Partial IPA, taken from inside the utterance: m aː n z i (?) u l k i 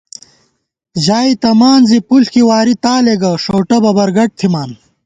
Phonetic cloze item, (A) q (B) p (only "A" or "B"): B